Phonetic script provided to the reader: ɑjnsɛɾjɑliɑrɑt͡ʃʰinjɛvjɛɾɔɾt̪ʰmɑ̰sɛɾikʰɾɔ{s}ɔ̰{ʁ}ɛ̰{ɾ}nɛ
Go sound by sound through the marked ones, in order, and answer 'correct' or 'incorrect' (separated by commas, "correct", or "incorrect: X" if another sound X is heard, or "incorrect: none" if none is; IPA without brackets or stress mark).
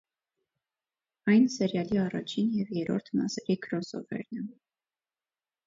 correct, incorrect: v, correct